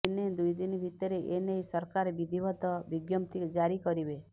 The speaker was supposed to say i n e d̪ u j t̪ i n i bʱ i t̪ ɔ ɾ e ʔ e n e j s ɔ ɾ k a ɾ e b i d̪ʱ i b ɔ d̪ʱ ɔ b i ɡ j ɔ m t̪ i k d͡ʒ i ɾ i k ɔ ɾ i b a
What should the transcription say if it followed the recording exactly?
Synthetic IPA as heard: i n e d̪ u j d̪ i n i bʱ i t̪ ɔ ɾ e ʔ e n e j s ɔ ɾ k a ɾ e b i d̪ʱ i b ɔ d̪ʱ ɔ b i ɡ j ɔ m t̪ i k d͡ʒ a ɾ i k ɔ ɾ i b e

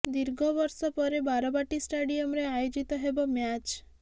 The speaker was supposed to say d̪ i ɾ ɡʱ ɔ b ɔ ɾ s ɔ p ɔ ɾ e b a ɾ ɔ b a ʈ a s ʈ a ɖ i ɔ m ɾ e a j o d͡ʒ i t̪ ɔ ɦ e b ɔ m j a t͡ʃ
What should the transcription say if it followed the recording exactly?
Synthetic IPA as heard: d̪ i ɾ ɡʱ ɔ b ɔ ɾ s ɔ p ɔ ɾ e b a ɾ ɔ b a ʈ i s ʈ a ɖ i ɔ m ɾ e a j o d͡ʒ i t̪ ɔ ɦ e b ɔ m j a t͡ʃ

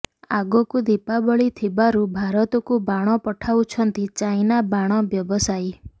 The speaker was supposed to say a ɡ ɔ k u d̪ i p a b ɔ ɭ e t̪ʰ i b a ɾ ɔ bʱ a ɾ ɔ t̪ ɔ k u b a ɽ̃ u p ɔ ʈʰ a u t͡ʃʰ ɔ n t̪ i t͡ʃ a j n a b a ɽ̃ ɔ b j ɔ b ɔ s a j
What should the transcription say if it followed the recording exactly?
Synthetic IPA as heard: a ɡ ɔ k u d̪ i p a b ɔ ɭ i t̪ʰ i b a ɾ u bʱ a ɾ ɔ t̪ ɔ k u b a ɽ̃ ɔ p ɔ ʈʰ a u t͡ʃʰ ɔ n t̪ i t͡ʃ a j n a b a ɽ̃ ɔ b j ɔ b ɔ s a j

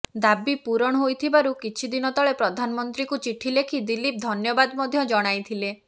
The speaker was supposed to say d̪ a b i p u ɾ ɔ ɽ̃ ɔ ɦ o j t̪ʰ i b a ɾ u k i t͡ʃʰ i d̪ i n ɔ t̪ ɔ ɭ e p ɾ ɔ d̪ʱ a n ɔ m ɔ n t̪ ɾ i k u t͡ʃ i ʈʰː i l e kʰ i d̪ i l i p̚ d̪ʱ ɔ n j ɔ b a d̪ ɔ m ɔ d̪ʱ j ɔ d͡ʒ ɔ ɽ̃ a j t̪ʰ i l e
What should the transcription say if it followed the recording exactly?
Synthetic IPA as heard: d̪ a b i p u ɾ ɔ ɽ̃ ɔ ɦ o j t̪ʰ i b a ɾ u k i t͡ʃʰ i d̪ i n ɔ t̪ ɔ ɭ e p ɾ ɔ d̪ʱ a n ɔ m ɔ n t̪ ɾ i k u t͡ʃ i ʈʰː i l e kʰ i d̪ i l i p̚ d̪ʱ ɔ n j ɔ b a d̪ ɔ m ɔ d̪ʱ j ɔ d͡ʒ ɔ ɽ̃ a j t̪ʰ i l e

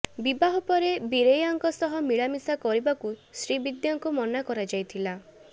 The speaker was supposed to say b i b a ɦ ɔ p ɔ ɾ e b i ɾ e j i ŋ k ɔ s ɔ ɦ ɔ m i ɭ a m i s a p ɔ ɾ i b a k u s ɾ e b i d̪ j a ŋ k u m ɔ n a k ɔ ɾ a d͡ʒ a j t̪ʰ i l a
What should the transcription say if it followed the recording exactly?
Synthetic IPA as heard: b i b a ɦ ɔ p ɔ ɾ e b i ɾ e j a ŋ k ɔ s ɔ ɦ ɔ m i ɭ a m i s a k ɔ ɾ i b a k u s ɾ i b i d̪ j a ŋ k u m ɔ n a k ɔ ɾ a d͡ʒ a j t̪ʰ i l a

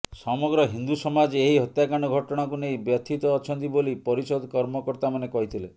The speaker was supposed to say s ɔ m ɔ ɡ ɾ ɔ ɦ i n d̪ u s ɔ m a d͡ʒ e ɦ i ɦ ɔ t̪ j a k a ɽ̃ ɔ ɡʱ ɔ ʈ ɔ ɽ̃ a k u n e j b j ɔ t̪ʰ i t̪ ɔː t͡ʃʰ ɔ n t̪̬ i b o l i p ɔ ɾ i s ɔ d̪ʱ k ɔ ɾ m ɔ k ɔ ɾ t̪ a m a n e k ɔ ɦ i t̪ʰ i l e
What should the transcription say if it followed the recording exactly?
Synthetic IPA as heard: s ɔ m ɔ ɡ ɾ ɔ ɦ i n d̪ u s ɔ m a d͡ʒ e ɦ i ɦ ɔ t̪ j a k a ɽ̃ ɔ ɡʱ ɔ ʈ ɔ ɽ̃ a k u n e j b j ɔ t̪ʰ i t̪ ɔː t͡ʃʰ ɔ n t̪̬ i b o l i p ɔ ɾ i s ɔ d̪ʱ k ɔ ɾ m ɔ k ɔ ɾ t̪ a m a n e k ɔ ɦ i t̪ʰ i l e

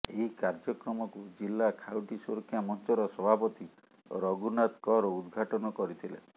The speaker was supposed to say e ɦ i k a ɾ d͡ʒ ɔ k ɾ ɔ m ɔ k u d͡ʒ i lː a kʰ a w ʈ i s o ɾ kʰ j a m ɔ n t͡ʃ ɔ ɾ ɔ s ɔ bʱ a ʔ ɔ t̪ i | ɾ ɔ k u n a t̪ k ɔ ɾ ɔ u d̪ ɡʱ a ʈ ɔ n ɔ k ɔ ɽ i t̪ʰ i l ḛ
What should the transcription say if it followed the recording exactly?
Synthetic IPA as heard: e ɦ i k a ɾ d͡ʒ ɔ k ɾ ɔ m ɔ k u d͡ʒ i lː a kʰ a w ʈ i s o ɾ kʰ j a m ɔ n t͡ʃ ɔ ɾ ɔ s ɔ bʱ a p ɔ t̪ i | ɾ ɔ ɡ u n a t̪ k ɔ ɾ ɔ u d̪ ɡʱ a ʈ ɔ n ɔ k ɔ ɾ i t̪ʰ i l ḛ

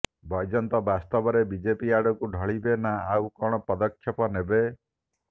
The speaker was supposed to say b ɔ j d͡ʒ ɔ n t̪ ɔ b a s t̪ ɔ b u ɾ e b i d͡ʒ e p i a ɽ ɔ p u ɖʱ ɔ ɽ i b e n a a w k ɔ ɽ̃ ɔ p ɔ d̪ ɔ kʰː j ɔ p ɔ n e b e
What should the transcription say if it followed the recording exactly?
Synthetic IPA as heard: b ɔ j d͡ʒ ɔ n t̪ ɔ b a s t̪ ɔ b ɔ ɾ e b i d͡ʒ e p i a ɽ ɔ k u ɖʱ ɔ ɭ i b e n a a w k ɔ ɽ̃ ɔ p ɔ d̪ ɔ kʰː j ɔ p ɔ n e b e

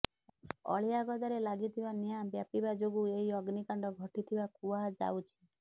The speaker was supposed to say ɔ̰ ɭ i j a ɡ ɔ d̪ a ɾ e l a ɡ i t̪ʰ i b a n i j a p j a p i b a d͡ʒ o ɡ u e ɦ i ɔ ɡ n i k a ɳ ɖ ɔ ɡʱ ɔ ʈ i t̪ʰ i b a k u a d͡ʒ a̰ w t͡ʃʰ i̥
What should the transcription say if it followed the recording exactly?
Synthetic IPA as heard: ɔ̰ ɭ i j a ɡ ɔ d̪ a ɾ e l a ɡ i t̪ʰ i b a n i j a b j a p i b a d͡ʒ o ɡ u e ɦ i ɔ ɡ n i k a ɳ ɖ ɔ ɡʱ ɔ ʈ i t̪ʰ i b a k u a d͡ʒ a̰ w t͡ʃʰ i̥

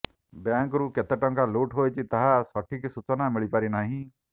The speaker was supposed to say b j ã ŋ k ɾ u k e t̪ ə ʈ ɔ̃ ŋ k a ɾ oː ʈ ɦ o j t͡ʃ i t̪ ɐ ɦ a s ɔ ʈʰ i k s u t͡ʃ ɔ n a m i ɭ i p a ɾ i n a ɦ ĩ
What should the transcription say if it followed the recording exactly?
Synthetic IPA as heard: b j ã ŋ k ɾ u k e t̪ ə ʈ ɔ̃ ŋ k a l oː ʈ ɦ o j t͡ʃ i t̪ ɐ ɦ a s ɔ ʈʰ i k s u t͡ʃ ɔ n a m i ɭ i p a ɾ i n a ɦ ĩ

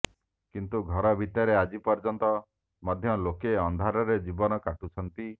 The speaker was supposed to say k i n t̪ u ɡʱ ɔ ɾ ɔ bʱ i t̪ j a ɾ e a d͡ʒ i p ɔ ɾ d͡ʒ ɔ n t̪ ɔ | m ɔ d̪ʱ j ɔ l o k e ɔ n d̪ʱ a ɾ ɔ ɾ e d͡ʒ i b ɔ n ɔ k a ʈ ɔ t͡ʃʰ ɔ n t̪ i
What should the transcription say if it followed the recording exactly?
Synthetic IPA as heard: k i n t̪ u ɡʱ ɔ ɾ ɔ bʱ i t̪ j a ɾ e a d͡ʒ i p ɔ ɾ d͡ʒ ɔ n t̪ ɔ | m ɔ d̪ʱ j ɔ l o k e ɔ n d̪ʱ a ɾ ɔ ɾ e d͡ʒ i b ɔ n ɔ k a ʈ u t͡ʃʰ ɔ n t̪ i

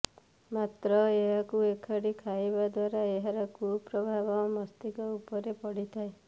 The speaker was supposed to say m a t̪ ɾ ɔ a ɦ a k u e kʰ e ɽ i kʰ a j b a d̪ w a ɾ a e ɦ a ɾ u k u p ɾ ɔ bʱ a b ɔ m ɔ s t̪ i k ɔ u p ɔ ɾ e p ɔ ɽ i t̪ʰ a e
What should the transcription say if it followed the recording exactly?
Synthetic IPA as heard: m a t̪ ɾ ɔ e ɦ a k u e kʰ a ɽ i kʰ a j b a d̪ w a ɾ a e ɦ a ɾ ɔ k u p ɾ ɔ bʱ a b ɔ m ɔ s t̪ i k ɔ u p ɔ ɾ e p ɔ ɽ i t̪ʰ a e

